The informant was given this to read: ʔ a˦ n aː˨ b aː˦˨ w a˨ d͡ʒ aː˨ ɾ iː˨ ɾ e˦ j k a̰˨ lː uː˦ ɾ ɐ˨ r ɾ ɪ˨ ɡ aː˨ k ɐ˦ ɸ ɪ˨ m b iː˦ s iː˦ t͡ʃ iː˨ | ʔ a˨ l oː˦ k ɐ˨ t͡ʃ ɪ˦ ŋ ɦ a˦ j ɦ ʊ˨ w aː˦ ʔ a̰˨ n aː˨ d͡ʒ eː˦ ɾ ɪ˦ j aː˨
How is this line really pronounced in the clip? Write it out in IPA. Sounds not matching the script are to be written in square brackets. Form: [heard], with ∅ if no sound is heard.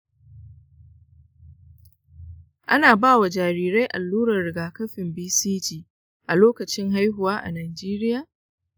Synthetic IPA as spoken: ʔ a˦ n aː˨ b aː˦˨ w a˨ d͡ʒ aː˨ ɾ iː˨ ɾ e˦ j [ʔ] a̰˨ lː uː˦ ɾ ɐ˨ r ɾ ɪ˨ ɡ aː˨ k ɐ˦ ɸ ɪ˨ m b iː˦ s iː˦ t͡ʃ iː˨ | ʔ a˨ l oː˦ k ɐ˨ t͡ʃ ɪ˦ ŋ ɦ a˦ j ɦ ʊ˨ w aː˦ ʔ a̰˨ n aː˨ d͡ʒ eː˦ ɾ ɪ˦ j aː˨